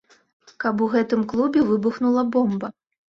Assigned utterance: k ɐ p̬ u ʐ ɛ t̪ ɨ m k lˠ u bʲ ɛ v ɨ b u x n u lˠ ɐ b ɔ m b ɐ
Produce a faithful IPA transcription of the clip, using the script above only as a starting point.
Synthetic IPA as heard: k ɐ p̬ u ɣ ɛ t̪ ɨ m k lˠ u bʲ ɛ v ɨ b u x n u lˠ ɐ b ɔ m b ɐ